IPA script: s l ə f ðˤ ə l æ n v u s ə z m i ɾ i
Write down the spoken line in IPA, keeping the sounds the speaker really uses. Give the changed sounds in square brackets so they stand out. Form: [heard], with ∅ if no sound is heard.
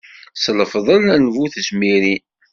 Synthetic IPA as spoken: s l ə f ðˤ ə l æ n v u [θ] ə [s] m i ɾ i